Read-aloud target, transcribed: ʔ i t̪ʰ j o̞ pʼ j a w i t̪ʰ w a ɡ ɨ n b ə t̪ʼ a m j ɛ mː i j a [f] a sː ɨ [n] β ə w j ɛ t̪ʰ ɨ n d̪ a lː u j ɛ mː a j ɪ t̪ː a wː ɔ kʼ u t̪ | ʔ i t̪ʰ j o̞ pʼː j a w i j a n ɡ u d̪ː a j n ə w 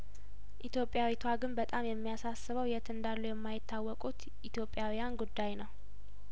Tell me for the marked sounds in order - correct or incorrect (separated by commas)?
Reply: incorrect, incorrect